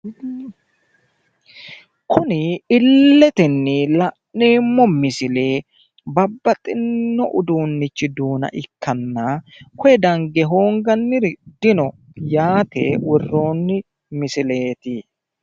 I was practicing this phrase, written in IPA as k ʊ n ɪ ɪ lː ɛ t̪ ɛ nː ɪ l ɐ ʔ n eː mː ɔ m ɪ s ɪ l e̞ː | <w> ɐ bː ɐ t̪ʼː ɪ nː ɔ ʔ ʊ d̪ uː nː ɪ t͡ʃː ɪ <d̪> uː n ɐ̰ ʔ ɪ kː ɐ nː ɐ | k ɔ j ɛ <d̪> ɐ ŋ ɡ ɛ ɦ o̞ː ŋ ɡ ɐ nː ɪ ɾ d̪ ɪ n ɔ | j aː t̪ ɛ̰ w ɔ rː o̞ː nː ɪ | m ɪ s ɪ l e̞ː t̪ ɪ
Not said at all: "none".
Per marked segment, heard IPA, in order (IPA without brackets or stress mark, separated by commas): b, d̪, d̪